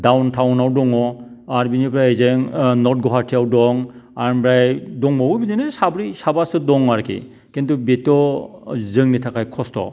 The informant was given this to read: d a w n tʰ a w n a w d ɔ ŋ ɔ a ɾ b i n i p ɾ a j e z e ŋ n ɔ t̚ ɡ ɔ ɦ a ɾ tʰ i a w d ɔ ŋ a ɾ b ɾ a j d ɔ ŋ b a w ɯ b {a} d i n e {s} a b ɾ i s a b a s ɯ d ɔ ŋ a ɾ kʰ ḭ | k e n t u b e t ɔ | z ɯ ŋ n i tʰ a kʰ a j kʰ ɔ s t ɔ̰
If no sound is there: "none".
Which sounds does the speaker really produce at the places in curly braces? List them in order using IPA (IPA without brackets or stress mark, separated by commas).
i, s